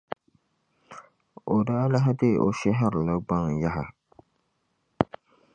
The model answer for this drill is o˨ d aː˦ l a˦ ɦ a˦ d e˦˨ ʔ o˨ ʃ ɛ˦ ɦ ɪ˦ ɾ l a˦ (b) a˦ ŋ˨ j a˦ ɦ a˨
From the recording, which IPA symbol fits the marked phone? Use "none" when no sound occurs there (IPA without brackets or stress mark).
ɡ͡b